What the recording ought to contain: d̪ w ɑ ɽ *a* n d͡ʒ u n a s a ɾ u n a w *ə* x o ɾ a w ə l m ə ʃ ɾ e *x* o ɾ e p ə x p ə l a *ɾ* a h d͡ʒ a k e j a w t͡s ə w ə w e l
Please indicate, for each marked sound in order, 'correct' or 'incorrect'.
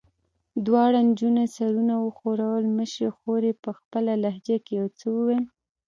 correct, correct, correct, incorrect

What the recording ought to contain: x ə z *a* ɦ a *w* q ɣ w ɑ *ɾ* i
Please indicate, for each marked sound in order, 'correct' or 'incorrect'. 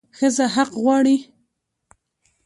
correct, incorrect, incorrect

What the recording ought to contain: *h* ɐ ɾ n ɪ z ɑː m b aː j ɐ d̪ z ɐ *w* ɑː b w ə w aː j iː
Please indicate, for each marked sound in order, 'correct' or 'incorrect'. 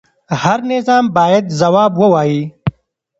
correct, correct

